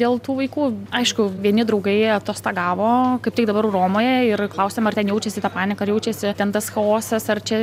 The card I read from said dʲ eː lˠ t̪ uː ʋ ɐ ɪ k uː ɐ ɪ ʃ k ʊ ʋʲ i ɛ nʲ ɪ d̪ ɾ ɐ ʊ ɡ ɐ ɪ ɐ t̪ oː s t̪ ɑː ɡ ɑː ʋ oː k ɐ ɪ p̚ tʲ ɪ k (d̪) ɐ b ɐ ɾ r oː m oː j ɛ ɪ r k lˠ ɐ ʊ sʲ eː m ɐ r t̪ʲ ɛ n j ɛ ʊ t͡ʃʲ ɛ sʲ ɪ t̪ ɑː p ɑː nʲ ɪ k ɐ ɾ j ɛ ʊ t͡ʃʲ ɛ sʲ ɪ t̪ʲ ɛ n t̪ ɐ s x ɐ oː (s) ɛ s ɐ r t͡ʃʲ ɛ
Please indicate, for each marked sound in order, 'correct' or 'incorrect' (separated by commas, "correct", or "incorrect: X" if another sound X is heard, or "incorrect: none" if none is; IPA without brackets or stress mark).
correct, correct